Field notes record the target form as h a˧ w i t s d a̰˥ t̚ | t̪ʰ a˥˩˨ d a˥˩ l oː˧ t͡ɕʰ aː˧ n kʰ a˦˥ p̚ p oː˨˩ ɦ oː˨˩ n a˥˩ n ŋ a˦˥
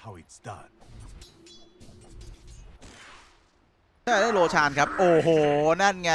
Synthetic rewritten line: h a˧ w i t s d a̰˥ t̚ | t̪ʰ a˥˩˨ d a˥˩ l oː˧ t͡ɕʰ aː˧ n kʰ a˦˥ p̚ ʔ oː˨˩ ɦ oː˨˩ n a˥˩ n ŋ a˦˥

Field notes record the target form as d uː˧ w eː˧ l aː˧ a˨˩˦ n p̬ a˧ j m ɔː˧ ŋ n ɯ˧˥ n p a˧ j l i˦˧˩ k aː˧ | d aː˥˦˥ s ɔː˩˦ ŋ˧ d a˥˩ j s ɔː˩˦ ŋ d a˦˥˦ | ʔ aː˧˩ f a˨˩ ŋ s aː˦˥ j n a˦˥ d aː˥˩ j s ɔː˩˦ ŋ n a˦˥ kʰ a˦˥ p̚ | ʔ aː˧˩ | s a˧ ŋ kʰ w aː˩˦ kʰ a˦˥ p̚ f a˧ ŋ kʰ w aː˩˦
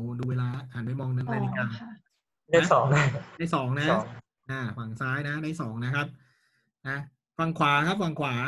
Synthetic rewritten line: d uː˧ w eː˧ l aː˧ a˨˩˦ n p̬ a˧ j m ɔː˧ ŋ n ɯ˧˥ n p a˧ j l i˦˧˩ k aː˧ | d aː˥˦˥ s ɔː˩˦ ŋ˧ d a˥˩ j s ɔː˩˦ ŋ n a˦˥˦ | ʔ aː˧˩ f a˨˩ ŋ s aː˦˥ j n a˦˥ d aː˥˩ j s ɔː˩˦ ŋ n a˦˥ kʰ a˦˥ p̚ | ʔ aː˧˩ | f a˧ ŋ kʰ w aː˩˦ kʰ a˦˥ p̚ f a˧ ŋ kʰ w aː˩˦

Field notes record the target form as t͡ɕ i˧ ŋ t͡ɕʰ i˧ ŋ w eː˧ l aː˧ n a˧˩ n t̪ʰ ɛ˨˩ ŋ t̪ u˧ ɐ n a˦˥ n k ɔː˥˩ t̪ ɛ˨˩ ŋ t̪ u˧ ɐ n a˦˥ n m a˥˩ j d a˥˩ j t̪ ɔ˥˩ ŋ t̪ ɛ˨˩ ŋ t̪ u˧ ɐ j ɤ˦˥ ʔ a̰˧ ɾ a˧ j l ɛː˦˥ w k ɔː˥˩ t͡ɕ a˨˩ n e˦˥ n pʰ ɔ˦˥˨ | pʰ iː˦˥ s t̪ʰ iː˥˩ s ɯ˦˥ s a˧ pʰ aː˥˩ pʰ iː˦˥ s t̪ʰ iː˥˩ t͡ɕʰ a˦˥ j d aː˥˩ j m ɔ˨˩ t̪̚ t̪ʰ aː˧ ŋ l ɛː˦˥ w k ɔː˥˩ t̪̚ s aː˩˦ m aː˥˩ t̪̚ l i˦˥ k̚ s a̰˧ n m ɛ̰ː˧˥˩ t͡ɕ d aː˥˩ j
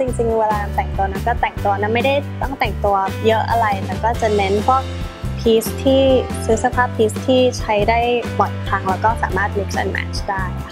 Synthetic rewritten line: t͡ɕ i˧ ŋ t͡ɕ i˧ ŋ w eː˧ l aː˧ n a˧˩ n t̪ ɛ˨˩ ŋ t̪ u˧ ɐ n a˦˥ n k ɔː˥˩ t̪ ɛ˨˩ ŋ t̪ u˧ ɐ n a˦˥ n m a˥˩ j d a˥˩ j t̪ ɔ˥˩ ŋ t̪ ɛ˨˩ ŋ t̪ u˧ ɐ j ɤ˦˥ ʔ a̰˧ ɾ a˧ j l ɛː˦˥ w k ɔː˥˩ t͡ɕ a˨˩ n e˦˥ n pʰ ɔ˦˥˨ | pʰ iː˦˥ s t̪ʰ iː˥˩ s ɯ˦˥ s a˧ pʰ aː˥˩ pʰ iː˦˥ s t̪ʰ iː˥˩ t͡ɕʰ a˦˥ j d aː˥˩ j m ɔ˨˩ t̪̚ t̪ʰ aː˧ ŋ l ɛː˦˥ w k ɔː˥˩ s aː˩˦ m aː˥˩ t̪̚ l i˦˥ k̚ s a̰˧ n m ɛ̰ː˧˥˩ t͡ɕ d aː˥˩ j

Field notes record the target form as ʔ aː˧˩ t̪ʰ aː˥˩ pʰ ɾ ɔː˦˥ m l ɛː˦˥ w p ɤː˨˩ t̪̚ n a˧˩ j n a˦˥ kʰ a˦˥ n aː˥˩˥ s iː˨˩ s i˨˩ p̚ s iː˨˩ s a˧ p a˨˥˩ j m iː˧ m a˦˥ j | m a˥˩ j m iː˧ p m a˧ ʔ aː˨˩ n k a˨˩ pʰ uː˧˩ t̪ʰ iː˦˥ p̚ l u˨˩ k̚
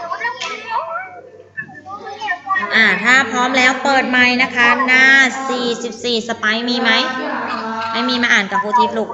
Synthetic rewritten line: ʔ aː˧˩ t̪ʰ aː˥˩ pʰ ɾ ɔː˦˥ m l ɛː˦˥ w p ɤː˨˩ t̪̚ m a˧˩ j n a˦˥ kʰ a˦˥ n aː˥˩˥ s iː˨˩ s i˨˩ p̚ s iː˨˩ s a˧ p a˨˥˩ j m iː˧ m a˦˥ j | m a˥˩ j m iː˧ m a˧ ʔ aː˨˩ n k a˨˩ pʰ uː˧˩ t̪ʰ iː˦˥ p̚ l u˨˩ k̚

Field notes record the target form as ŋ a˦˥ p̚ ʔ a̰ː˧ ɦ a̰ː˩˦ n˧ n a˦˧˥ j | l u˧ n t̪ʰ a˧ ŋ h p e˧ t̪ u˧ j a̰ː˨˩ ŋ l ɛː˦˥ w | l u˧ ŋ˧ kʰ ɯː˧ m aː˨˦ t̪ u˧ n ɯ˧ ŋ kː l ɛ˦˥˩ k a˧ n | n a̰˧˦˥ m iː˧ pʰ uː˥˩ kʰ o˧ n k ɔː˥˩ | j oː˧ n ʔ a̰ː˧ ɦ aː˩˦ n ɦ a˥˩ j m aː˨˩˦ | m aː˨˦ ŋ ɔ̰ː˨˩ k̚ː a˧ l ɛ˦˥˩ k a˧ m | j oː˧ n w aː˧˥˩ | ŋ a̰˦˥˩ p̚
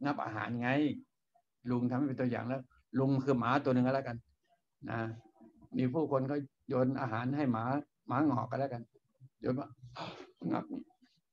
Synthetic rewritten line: ŋ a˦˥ p̚ ʔ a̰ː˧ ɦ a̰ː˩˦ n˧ ŋ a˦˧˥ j | l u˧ ŋ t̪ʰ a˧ m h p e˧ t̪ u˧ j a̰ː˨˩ ŋ l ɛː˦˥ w | l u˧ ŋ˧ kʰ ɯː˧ m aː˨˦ t̪ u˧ n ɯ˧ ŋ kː l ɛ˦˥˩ k a˧ n | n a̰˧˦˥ m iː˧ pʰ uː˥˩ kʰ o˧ n k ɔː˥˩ | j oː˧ n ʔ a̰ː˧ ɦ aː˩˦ n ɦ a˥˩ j m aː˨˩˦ | m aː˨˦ ŋ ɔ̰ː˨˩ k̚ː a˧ l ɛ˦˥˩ k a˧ n | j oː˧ n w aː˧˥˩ | ŋ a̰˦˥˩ p̚

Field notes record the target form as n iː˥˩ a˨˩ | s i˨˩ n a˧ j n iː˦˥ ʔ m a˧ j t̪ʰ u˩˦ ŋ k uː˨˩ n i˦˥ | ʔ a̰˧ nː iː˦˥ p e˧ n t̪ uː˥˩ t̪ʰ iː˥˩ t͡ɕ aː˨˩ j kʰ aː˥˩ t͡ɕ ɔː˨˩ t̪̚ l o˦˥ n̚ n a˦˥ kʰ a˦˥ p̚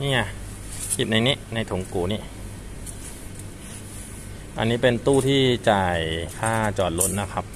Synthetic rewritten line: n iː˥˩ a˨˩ | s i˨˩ n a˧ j n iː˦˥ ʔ n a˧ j t̪ʰ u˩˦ ŋ k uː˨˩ n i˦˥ | ʔ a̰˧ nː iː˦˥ p e˧ n t̪ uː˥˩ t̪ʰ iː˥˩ t͡ɕ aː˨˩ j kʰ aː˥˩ t͡ɕ ɔː˨˩ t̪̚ l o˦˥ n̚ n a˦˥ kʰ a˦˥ p̚

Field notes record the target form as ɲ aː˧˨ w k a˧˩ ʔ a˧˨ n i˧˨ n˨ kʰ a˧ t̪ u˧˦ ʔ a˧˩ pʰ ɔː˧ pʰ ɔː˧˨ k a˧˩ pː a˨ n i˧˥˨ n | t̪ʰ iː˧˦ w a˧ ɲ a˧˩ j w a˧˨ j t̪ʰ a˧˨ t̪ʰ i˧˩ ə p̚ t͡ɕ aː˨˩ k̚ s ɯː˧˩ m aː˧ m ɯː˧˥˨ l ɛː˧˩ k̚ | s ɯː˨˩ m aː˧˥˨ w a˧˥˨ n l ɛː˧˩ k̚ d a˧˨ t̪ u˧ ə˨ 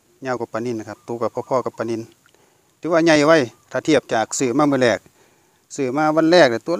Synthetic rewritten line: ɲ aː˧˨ w k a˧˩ p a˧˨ n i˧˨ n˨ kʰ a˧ t̪ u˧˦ k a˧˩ pʰ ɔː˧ pʰ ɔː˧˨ k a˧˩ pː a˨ n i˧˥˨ n | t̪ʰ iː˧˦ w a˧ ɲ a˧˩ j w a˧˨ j t̪ʰ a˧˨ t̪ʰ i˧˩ ə p̚ t͡ɕ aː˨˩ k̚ s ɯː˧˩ m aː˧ m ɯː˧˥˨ l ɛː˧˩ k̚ | s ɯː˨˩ m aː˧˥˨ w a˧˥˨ n l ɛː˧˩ k̚ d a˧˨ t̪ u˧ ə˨

